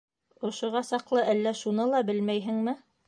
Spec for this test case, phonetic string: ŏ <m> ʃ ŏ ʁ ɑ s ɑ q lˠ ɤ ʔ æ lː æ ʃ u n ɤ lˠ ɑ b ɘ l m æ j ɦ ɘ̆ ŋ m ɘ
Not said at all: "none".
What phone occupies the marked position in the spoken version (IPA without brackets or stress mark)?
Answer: none